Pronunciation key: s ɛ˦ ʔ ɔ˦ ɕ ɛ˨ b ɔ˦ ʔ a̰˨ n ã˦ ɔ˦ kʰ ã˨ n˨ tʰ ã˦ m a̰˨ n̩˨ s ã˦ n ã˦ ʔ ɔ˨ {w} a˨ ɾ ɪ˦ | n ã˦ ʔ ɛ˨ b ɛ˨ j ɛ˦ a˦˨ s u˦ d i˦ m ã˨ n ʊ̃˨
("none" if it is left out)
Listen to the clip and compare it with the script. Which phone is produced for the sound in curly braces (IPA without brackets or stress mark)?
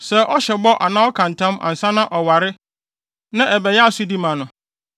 w